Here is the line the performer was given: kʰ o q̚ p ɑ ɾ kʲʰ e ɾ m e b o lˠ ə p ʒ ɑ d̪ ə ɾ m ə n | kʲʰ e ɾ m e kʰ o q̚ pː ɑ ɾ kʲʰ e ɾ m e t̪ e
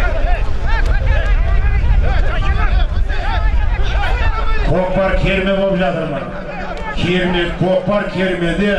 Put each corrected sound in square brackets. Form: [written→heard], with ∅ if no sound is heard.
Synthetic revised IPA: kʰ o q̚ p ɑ ɾ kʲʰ e ɾ m e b o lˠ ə p ʒ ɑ [d̪→t̪] ə ɾ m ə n | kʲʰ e ɾ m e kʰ o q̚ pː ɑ ɾ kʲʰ e ɾ m e [t̪→d̪] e

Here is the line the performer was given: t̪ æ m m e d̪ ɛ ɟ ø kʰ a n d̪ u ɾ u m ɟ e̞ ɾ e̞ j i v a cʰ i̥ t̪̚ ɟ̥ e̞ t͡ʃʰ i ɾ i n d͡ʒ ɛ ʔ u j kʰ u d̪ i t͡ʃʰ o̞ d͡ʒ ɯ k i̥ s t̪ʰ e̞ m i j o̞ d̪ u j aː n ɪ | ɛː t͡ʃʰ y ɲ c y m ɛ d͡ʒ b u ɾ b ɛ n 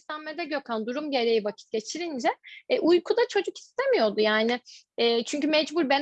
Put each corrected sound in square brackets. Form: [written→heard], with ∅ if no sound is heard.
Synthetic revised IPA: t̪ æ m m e d̪ ɛ ɟ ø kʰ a n d̪ u ɾ u m ɟ e̞ ɾ e̞ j i v a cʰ i̥ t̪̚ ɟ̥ e̞ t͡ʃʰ i ɾ i n d͡ʒ ɛ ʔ u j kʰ u d̪ [i→a] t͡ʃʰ o̞ d͡ʒ [ɯ→u] k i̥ s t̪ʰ e̞ m i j o̞ d̪ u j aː n ɪ | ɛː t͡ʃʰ y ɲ c y m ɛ d͡ʒ b u ɾ b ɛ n

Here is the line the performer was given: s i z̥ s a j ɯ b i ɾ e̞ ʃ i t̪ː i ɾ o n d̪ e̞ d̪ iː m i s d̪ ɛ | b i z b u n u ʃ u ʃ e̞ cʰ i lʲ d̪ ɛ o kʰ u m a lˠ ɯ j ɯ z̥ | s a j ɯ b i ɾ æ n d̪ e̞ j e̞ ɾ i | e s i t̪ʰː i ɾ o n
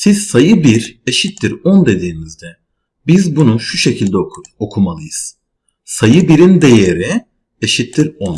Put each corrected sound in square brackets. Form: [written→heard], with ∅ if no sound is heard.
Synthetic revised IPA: s i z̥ s a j ɯ b i ɾ e̞ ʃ i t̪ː i ɾ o n d̪ e̞ d̪ iː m i [s→z] d̪ ɛ | b i z b u n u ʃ u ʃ e̞ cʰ i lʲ d̪ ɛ o kʰ u m a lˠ ɯ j ɯ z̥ | s a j ɯ b i ɾ [æ→i] n d̪ e̞ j e̞ ɾ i | e [s→ʃ] i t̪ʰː i ɾ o n

